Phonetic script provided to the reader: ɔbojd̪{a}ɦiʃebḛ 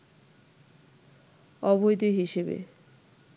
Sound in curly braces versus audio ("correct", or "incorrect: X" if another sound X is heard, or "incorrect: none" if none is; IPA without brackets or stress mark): incorrect: i